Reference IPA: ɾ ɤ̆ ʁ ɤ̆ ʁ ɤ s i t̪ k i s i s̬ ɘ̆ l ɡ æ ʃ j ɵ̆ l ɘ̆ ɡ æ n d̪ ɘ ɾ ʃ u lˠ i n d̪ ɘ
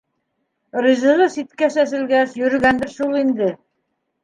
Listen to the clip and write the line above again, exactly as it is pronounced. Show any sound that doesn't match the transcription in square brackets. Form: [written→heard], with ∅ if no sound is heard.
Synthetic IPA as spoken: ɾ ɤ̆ [ʁ→z] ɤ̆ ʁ ɤ s i t̪ k [i→æ] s [i→æ] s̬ ɘ̆ l ɡ æ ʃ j ɵ̆ [l→ɾ] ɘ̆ ɡ æ n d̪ ɘ ɾ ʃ u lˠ i n d̪ ɘ